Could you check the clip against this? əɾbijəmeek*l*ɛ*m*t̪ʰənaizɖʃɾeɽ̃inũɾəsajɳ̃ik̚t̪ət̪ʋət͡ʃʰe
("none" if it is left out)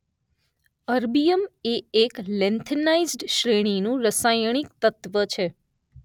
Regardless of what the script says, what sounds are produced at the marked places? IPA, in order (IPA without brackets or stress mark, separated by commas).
l, n